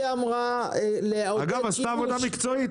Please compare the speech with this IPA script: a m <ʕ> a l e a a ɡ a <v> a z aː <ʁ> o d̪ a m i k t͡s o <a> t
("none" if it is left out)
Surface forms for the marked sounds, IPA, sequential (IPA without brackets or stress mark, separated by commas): ʁ, v, v, i